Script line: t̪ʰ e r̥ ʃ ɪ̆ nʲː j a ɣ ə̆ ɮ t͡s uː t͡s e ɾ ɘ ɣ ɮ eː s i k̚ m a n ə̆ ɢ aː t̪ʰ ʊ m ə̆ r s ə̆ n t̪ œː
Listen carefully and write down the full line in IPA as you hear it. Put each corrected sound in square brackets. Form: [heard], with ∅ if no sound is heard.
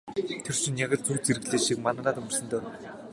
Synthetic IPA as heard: t̪ʰ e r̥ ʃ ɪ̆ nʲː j a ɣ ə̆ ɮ t͡s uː t͡s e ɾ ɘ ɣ ɮ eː [ʃ] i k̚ m a n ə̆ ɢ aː [t̪] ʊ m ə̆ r s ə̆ n t̪ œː